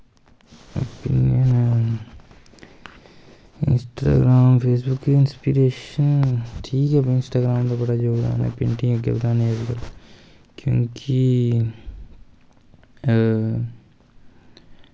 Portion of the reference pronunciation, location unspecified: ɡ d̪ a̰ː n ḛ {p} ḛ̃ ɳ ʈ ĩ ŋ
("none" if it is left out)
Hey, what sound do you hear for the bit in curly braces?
p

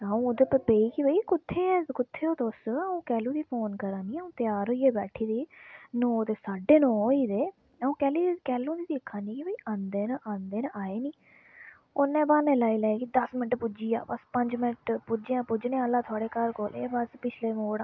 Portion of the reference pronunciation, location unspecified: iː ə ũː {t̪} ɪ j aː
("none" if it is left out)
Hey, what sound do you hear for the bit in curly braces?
t̪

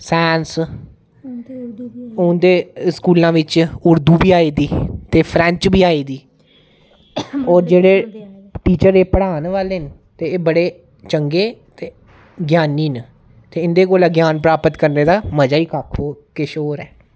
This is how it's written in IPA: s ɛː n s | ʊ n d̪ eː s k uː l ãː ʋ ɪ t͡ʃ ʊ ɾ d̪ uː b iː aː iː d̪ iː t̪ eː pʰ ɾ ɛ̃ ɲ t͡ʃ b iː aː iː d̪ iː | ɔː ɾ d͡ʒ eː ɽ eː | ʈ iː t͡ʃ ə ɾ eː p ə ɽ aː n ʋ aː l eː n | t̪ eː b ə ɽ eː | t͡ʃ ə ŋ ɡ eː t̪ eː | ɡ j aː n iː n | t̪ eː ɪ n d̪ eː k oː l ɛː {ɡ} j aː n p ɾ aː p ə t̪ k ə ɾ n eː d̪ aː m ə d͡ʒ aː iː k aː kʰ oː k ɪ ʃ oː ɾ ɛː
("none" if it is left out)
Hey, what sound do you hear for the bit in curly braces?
ɡ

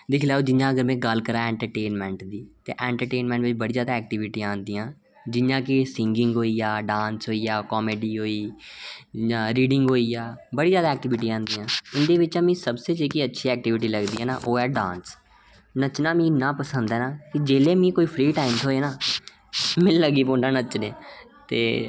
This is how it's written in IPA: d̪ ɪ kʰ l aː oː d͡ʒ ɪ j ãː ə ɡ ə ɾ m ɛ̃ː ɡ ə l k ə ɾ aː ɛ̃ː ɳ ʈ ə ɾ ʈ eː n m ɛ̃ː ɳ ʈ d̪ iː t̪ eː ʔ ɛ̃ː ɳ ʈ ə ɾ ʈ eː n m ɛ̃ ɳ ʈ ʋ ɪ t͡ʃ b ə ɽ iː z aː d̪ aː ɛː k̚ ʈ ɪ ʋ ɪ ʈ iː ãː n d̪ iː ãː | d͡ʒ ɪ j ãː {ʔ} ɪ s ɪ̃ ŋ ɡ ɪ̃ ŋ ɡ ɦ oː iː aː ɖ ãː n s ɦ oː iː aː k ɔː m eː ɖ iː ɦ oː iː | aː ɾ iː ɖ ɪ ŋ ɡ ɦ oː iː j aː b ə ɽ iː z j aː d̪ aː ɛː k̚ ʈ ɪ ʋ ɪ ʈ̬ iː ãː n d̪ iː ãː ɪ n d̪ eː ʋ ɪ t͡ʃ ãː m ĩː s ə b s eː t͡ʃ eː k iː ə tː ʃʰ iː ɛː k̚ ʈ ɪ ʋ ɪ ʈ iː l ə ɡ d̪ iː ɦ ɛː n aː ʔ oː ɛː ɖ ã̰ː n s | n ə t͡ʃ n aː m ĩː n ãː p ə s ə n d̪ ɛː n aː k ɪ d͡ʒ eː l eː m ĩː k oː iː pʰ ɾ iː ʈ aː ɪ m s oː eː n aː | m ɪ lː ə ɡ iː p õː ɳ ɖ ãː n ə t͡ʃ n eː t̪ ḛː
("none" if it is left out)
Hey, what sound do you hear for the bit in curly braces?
k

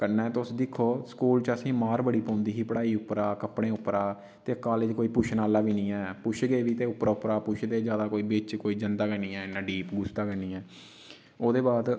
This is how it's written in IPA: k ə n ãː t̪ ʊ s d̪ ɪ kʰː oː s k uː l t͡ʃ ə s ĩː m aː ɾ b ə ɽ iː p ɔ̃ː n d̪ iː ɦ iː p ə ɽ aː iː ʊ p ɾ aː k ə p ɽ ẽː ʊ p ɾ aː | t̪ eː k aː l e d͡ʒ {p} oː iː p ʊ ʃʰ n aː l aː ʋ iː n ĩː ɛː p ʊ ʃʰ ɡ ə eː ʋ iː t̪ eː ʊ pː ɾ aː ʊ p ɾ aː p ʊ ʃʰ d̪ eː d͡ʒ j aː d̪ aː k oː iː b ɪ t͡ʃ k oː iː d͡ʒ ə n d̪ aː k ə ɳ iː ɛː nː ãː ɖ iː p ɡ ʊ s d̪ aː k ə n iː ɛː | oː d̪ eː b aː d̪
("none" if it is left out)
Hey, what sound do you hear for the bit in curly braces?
k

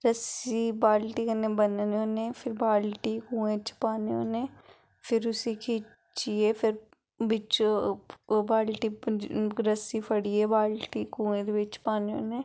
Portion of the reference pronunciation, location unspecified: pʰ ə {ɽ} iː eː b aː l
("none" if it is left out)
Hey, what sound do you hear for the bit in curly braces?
ɽ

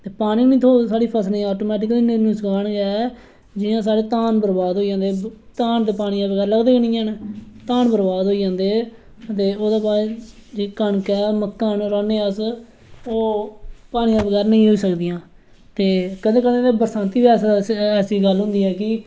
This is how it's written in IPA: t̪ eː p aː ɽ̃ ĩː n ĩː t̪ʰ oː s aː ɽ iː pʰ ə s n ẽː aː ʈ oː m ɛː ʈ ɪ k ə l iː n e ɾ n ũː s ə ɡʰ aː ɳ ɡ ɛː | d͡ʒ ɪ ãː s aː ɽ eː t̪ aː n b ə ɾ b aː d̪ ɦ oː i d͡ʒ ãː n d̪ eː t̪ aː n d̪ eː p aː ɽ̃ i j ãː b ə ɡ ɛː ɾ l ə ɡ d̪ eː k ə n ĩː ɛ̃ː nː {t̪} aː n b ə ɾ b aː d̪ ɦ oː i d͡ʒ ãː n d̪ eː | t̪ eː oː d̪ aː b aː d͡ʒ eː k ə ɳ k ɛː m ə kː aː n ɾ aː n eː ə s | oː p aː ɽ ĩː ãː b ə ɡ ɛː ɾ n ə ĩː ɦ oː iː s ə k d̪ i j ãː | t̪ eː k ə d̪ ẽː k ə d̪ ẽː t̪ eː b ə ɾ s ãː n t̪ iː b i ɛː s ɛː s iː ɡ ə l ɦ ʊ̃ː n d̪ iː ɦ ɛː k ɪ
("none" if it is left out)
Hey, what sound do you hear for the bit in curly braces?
t̪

